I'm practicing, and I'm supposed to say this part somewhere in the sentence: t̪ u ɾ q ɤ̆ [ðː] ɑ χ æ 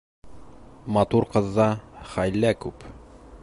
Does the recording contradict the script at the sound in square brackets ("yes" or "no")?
no